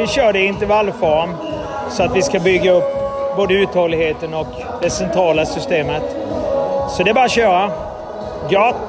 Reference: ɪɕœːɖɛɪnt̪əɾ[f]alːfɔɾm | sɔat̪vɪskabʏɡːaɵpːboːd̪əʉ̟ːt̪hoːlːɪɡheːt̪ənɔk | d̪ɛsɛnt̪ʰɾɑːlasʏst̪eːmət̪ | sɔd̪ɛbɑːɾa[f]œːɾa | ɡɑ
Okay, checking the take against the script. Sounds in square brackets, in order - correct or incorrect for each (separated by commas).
incorrect, incorrect